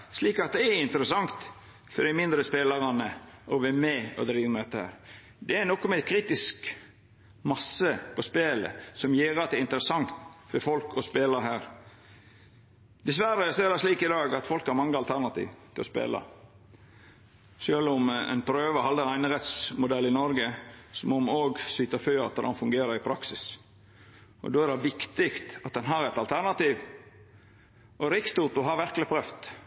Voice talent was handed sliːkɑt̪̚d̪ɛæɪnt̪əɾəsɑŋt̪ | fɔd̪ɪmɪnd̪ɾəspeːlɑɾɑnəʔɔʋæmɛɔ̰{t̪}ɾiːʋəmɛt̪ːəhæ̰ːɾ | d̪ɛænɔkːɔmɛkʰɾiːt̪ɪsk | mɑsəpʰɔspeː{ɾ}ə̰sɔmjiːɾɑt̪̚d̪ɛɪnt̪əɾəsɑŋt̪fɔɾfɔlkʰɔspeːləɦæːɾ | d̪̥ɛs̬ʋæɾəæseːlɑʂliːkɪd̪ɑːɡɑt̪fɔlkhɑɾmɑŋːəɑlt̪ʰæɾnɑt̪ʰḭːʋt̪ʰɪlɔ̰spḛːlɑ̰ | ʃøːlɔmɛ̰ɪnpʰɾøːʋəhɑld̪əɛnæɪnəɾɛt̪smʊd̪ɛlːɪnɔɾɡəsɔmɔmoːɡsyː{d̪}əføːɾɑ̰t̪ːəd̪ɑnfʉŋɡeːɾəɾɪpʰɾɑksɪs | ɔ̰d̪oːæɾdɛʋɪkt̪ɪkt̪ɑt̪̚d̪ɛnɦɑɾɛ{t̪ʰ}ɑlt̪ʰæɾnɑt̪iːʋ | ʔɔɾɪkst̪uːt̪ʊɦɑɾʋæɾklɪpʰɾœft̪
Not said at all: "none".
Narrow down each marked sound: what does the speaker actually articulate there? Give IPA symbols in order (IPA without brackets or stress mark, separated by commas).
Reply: d̪, l, t̪, t̪